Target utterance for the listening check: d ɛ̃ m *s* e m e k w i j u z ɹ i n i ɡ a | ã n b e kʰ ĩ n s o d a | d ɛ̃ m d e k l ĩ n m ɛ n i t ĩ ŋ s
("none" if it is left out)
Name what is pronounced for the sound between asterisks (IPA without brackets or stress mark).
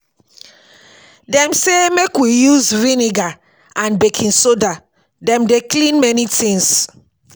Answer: s